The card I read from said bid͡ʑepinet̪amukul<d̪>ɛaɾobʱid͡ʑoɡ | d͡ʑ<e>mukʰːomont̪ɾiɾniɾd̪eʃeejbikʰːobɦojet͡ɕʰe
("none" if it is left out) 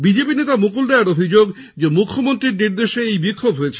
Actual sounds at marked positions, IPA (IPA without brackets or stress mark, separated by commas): d̪, e